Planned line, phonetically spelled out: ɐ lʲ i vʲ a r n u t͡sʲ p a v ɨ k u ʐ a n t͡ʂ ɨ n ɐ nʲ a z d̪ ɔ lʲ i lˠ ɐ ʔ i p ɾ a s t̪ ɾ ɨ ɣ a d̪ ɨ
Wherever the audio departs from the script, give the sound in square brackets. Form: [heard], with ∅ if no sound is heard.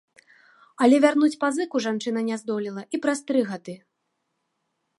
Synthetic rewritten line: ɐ lʲ [ɛ] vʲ a r n u t͡sʲ p a [z] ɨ k u ʐ a n t͡ʂ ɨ n ɐ nʲ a z d̪ ɔ lʲ i lˠ ɐ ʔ i p ɾ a s t̪ ɾ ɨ ɣ a d̪ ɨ